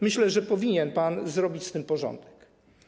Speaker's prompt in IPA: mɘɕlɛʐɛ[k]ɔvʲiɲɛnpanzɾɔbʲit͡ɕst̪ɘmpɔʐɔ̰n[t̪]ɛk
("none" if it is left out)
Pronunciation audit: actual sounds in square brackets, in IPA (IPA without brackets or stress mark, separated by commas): p, d̪